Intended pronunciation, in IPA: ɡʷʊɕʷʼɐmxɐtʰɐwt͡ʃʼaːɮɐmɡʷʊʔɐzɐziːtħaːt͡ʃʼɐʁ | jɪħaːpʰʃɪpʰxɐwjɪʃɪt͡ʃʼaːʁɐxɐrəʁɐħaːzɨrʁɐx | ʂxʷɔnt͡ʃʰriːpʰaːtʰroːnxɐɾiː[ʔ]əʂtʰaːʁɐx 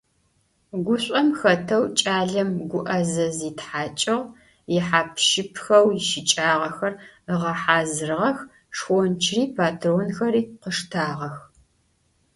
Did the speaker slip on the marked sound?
yes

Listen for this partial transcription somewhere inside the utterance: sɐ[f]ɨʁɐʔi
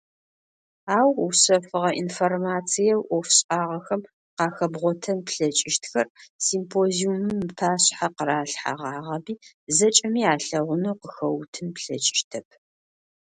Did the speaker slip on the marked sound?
no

